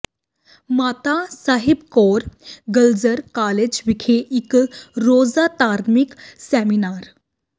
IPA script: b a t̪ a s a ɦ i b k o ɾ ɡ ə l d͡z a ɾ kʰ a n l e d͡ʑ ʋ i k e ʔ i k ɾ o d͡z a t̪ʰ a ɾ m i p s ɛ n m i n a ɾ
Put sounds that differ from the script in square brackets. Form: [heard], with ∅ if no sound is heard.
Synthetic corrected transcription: [m] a t̪ a s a ɦ i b k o ɾ ɡ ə l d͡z [ə] ɾ [k] a [∅] l e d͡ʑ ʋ i [kʰ] e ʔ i k ɾ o d͡z a [t̪] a ɾ m i [k] s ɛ [∅] m i n a ɾ